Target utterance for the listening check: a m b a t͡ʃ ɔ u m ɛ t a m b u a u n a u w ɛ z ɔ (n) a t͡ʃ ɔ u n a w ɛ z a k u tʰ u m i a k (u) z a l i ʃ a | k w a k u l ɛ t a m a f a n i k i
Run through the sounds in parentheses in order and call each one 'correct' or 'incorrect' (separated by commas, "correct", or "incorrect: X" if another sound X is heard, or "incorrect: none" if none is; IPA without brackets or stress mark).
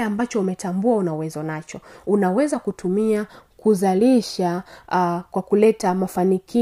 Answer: correct, correct